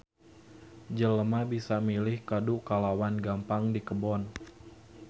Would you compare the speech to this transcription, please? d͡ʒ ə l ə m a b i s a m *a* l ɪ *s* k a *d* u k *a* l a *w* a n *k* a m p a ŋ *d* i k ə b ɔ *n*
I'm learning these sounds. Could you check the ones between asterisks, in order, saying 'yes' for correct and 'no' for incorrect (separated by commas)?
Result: no, no, yes, yes, yes, no, yes, yes